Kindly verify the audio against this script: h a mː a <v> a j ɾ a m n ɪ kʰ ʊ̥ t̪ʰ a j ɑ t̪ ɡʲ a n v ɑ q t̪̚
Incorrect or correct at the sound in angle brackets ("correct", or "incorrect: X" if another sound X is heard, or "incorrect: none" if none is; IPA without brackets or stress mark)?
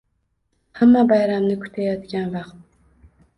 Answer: incorrect: b